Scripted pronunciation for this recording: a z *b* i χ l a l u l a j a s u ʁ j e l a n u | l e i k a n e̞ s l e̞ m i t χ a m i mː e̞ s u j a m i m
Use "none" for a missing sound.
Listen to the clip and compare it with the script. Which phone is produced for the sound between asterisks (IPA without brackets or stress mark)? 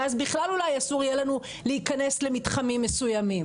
b